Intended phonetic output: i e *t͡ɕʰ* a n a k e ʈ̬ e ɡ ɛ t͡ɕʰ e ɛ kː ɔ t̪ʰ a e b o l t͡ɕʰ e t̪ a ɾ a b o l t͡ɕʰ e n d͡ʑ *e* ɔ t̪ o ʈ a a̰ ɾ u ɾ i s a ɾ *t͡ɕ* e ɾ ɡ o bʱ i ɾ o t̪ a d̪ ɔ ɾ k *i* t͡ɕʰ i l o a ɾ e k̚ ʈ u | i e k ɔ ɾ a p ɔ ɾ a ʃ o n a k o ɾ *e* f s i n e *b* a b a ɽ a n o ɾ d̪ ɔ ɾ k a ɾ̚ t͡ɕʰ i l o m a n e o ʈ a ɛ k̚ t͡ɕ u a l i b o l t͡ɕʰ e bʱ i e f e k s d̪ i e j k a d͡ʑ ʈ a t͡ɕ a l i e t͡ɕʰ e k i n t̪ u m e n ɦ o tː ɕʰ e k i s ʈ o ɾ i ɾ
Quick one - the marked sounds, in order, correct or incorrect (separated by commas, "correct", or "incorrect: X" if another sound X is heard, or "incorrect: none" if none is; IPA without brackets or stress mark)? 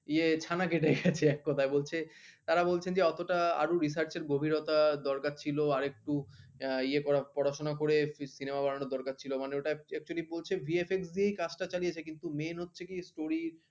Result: correct, correct, correct, incorrect: a, correct, incorrect: m